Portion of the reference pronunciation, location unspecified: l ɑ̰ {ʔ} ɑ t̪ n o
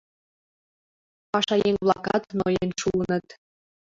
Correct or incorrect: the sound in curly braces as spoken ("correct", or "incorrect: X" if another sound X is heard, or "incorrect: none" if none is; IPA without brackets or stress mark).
incorrect: k